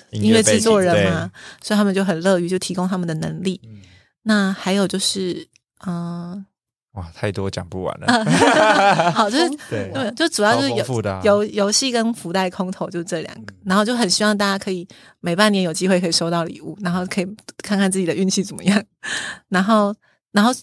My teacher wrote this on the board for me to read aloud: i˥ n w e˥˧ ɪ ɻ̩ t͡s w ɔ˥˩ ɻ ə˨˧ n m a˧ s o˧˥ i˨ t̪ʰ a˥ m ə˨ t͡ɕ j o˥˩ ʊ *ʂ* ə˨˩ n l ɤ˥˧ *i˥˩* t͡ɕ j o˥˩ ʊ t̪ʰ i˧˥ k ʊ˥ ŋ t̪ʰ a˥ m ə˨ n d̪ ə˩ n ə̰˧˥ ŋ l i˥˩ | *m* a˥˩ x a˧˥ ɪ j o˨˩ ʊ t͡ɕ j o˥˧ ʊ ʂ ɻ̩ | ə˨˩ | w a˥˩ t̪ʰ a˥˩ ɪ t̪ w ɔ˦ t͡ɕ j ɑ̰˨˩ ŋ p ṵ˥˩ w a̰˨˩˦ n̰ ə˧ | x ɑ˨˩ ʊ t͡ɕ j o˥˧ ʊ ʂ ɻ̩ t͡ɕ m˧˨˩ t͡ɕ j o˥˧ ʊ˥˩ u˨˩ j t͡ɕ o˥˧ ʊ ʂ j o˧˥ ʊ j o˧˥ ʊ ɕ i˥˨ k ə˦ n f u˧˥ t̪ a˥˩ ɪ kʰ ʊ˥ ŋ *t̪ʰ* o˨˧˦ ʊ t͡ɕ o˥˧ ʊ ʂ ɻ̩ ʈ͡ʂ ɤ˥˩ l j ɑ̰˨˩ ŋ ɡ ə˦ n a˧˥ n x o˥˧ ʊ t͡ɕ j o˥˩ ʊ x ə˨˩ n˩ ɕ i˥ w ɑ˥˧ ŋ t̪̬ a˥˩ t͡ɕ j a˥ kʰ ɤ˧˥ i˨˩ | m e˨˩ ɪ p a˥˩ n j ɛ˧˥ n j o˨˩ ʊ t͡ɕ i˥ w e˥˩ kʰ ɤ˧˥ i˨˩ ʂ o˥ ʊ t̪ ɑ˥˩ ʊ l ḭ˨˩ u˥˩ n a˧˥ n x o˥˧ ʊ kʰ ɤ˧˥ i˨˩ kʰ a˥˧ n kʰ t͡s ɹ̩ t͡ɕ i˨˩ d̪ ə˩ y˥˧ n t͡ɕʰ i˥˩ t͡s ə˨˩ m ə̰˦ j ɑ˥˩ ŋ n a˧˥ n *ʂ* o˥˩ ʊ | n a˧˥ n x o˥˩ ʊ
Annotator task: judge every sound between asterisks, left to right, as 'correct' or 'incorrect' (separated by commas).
incorrect, incorrect, incorrect, correct, incorrect